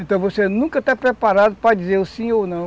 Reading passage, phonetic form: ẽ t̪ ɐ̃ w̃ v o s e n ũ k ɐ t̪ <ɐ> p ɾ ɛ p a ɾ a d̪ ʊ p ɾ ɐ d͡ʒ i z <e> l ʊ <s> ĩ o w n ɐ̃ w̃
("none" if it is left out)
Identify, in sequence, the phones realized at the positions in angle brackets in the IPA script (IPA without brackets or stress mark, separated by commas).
a, e, s